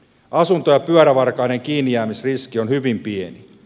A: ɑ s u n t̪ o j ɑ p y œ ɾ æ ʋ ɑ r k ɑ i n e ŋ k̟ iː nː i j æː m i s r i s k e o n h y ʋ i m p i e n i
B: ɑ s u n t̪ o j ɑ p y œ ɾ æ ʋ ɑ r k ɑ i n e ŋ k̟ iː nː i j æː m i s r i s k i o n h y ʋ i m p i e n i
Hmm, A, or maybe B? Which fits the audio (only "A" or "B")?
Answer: B